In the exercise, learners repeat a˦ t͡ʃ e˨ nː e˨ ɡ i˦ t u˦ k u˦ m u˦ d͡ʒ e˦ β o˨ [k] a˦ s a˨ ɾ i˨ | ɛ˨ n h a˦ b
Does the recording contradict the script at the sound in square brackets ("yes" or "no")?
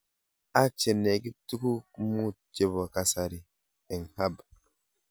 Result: no